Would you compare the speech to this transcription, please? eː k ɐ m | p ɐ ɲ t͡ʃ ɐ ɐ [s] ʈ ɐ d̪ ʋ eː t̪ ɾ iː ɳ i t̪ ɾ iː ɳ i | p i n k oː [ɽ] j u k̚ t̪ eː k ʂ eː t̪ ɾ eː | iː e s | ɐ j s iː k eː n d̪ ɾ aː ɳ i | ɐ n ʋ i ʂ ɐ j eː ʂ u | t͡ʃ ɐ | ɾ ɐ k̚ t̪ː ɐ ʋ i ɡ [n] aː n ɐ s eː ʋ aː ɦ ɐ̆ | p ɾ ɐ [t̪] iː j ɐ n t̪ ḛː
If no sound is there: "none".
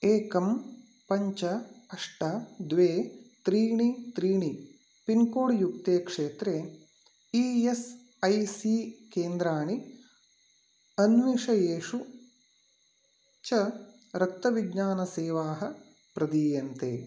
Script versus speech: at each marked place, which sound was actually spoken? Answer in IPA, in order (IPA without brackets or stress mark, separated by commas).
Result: ʂ, ɽ, ɲ, d̪